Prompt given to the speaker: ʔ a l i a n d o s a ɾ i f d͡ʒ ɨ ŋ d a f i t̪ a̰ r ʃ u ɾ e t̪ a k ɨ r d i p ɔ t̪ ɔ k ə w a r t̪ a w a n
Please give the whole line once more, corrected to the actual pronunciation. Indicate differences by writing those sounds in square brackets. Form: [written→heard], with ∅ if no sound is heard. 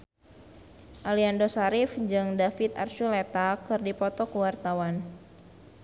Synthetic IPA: ʔ a l i a n d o s a ɾ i f d͡ʒ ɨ ŋ d a f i t̪ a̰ r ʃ u [ɾ→l] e t̪ a k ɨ r d i p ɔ t̪ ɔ k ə w a r t̪ a w a n